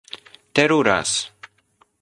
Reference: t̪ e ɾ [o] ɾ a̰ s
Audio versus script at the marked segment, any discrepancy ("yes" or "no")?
yes